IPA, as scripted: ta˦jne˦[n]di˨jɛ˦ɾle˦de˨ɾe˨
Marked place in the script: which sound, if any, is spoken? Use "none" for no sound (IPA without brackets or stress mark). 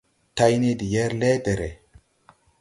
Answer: none